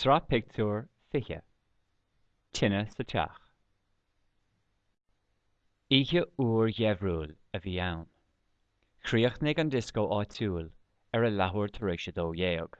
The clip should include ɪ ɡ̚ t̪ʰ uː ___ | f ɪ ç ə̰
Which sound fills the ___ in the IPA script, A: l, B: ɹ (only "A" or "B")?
B